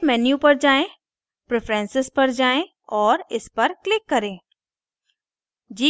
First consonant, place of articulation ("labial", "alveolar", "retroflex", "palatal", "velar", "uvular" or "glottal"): labial